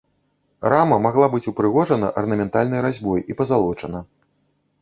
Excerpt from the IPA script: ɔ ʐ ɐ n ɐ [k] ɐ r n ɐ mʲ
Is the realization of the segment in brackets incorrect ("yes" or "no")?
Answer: yes